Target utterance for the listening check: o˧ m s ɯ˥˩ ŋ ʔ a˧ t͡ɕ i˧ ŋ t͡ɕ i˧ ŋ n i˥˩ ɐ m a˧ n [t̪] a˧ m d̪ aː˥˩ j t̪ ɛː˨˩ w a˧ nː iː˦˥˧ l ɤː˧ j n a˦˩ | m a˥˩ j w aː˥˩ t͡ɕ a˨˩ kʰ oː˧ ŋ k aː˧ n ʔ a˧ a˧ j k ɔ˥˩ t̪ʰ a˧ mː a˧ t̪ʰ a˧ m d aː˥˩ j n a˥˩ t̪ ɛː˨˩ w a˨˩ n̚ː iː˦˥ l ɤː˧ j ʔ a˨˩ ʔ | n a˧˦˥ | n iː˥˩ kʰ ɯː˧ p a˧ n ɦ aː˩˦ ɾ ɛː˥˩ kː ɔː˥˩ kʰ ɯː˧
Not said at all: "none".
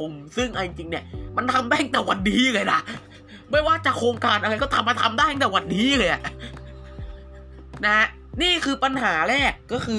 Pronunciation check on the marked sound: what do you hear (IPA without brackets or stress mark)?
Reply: t̪ʰ